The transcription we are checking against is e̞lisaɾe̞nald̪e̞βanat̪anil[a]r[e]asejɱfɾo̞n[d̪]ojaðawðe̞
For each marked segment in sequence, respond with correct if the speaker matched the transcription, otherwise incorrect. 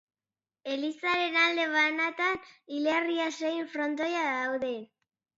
incorrect: e, incorrect: i, incorrect: t̪

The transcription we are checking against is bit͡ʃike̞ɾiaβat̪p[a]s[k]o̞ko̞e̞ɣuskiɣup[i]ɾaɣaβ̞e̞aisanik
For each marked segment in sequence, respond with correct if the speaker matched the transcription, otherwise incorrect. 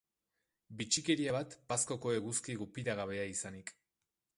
correct, correct, correct

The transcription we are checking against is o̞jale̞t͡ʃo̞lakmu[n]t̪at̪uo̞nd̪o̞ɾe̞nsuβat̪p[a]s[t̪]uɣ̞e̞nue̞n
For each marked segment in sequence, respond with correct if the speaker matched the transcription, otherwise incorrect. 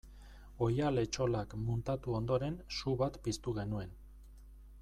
correct, incorrect: i, correct

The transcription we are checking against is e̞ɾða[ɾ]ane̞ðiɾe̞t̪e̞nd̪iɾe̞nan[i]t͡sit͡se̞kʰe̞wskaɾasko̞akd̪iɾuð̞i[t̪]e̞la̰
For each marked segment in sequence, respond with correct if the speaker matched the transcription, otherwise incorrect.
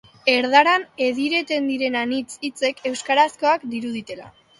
correct, correct, correct

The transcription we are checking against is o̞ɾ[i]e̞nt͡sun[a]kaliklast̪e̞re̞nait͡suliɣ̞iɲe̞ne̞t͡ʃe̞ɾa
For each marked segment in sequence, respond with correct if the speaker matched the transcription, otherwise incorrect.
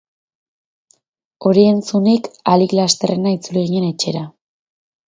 correct, incorrect: i

